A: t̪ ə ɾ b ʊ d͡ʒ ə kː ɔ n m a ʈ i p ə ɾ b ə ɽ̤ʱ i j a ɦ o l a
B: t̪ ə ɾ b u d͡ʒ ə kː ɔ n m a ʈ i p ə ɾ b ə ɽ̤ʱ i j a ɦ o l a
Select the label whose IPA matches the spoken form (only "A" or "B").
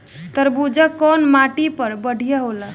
B